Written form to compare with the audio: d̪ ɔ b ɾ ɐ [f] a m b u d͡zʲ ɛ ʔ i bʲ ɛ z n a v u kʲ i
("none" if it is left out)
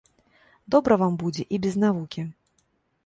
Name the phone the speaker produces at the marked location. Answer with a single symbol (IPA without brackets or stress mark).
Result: v